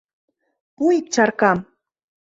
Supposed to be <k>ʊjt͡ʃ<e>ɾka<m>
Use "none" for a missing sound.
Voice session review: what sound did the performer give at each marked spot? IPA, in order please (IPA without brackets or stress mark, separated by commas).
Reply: p, a, m